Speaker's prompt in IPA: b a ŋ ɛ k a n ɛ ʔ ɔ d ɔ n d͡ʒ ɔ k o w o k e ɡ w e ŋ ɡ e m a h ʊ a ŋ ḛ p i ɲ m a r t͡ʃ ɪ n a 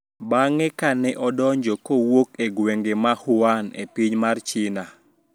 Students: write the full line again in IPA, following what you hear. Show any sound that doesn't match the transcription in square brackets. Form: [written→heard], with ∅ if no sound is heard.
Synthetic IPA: b a ŋ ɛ k a n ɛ ʔ ɔ d ɔ [n→ɲ] d͡ʒ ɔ k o w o k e ɡ w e ŋ ɡ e m a h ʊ a [ŋ→n] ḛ p i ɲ m a r t͡ʃ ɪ n a